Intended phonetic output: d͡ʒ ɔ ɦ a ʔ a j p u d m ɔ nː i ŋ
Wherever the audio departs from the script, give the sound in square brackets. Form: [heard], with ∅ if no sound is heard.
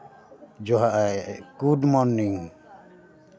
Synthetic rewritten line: d͡ʒ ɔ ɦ a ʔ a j [k] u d m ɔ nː i ŋ